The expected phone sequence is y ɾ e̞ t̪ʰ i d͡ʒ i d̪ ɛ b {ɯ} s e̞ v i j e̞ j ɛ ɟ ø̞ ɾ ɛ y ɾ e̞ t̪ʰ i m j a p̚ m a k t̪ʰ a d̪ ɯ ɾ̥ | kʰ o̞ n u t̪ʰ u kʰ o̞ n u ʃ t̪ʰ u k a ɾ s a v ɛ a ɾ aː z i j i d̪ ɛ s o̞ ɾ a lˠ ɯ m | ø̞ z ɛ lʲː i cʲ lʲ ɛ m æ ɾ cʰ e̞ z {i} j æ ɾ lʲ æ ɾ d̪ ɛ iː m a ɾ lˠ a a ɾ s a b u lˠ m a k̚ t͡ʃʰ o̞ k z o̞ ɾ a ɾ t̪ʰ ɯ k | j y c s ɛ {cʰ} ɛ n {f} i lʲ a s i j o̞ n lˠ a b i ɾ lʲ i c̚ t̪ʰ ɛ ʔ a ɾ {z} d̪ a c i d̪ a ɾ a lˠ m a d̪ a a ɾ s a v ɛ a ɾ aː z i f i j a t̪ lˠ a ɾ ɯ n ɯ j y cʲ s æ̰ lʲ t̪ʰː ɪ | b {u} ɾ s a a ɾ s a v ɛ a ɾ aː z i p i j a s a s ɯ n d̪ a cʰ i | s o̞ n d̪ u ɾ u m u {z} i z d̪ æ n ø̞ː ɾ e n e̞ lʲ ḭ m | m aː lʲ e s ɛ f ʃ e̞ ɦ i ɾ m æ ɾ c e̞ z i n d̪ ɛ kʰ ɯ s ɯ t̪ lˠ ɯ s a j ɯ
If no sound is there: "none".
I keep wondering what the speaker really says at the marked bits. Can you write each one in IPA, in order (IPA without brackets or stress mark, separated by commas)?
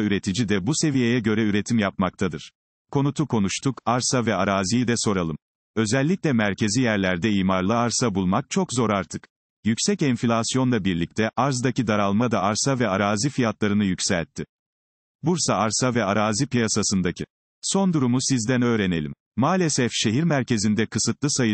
u, i, c, f, z, u, s